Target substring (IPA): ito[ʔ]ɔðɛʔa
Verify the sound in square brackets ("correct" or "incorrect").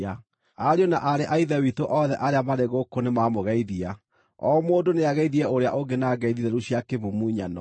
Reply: correct